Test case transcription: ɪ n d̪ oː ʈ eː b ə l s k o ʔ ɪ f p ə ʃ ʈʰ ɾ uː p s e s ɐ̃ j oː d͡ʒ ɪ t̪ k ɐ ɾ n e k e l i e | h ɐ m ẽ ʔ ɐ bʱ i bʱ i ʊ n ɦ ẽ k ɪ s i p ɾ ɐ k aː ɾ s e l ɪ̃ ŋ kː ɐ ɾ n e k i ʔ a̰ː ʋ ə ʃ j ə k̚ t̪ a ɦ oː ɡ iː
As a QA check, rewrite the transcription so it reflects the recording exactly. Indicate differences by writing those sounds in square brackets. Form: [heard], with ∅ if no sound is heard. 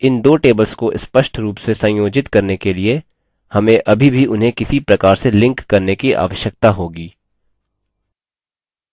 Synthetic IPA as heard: ɪ n d̪ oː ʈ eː b ə l s k o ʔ ɪ [s] p ə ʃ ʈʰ ɾ uː p s e s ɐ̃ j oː d͡ʒ ɪ t̪ k ɐ ɾ n e k e l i e | h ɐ m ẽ ʔ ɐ bʱ i bʱ i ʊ n ɦ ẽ k ɪ s i p ɾ ɐ k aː ɾ s e l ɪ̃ ŋ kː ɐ ɾ n e k i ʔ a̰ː ʋ ə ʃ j ə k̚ t̪ a ɦ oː ɡ iː